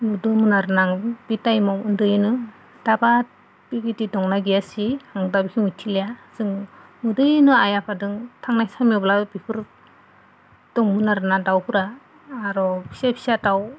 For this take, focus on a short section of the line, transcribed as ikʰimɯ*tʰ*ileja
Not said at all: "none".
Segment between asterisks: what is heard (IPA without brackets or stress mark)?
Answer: tʰ